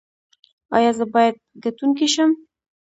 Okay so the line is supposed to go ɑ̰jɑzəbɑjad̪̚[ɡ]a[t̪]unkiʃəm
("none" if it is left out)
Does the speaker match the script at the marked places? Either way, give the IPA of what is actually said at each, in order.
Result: ɡ, t̪

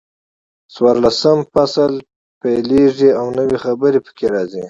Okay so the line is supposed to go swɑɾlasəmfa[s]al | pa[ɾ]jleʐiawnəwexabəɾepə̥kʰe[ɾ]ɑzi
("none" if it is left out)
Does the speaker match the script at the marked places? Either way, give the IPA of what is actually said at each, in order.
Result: s, none, ɾ

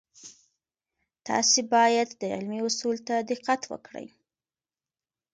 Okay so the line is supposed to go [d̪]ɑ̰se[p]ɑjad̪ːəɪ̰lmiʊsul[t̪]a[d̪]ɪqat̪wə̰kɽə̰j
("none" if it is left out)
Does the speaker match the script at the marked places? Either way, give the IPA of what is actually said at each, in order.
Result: t̪, b, t̪, d̪

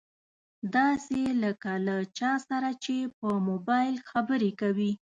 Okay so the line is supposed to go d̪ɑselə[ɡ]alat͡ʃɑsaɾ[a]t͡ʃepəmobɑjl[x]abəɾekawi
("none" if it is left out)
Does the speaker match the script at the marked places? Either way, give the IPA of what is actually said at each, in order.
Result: k, a, x

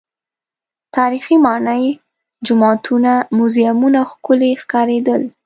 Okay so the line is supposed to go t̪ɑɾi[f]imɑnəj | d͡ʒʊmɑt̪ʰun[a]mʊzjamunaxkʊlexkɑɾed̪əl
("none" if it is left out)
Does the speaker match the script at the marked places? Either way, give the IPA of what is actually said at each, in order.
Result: x, a

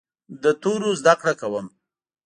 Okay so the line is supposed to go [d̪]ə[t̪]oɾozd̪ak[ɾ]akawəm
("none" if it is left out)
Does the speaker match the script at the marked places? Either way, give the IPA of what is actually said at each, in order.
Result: d̪, t̪, ɽ

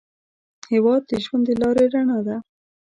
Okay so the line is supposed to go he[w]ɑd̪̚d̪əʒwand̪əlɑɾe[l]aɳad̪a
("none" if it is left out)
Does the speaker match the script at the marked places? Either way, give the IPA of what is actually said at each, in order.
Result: w, ɾ

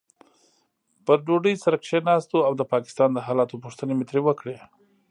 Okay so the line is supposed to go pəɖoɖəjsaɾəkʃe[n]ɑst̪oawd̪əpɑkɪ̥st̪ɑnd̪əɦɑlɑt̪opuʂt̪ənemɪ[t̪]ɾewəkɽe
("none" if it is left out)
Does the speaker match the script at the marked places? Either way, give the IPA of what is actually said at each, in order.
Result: n, t̪

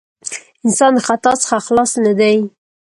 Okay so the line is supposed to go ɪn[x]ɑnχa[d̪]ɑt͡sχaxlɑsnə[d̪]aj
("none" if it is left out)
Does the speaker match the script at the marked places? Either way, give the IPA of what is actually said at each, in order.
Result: s, t̪, d̪

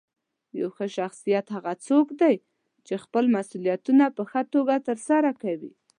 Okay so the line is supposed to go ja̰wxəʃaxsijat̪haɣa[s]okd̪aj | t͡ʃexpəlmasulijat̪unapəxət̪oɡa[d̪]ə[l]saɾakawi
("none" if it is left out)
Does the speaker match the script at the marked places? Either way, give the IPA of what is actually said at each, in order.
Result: t͡s, t̪, ɾ

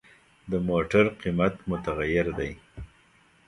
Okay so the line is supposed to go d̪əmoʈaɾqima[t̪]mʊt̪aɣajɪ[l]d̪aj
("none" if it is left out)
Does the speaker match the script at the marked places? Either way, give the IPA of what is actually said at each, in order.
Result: t̪, ɾ

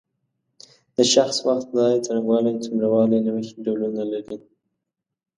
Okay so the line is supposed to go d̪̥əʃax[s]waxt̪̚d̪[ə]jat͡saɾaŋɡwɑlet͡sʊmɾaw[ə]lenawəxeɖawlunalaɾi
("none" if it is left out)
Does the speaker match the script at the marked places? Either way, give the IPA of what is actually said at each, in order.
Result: s, ɑ, ɑ

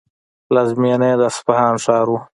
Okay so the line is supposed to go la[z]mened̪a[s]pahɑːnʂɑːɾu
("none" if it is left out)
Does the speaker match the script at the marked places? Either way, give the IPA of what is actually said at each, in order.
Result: z, s

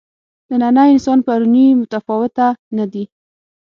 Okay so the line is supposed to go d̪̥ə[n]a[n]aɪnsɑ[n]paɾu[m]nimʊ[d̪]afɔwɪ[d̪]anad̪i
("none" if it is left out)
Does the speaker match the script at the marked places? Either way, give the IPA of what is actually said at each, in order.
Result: n, n, n, none, t̪, t̪

